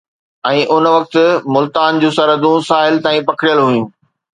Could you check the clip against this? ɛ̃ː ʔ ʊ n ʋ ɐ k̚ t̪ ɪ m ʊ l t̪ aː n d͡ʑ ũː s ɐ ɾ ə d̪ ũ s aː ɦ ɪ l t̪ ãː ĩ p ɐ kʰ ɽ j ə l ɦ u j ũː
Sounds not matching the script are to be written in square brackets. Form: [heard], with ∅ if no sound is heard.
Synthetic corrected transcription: ɛ̃ː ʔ ʊ n ʋ ɐ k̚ t̪ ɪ m ʊ l t̪ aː n d͡ʑ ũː s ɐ ɾ ə d̪ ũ s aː ɦ ɪ l t̪ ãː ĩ p ɐ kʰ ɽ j ə l ɦ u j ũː